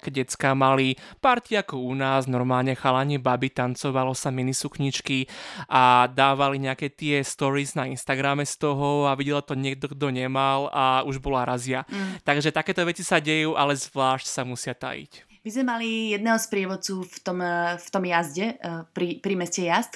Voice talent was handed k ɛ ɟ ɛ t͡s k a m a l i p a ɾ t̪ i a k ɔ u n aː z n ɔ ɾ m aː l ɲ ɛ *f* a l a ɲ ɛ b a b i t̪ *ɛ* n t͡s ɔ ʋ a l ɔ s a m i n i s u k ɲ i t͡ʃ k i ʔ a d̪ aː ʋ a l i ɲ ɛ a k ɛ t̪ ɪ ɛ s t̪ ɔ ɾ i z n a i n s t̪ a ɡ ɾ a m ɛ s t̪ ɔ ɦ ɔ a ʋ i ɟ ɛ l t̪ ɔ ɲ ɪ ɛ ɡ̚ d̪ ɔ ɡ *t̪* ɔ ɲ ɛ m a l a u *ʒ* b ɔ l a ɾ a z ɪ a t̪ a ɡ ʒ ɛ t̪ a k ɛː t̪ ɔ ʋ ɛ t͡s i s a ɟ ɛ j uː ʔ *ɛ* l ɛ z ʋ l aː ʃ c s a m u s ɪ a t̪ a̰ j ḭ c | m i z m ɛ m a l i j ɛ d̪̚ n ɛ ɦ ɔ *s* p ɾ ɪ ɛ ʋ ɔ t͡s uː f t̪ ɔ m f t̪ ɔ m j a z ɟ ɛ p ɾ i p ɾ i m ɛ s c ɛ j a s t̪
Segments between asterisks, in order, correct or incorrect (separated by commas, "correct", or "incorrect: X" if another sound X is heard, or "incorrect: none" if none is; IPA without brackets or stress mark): incorrect: x, incorrect: a, incorrect: d̪, correct, incorrect: a, correct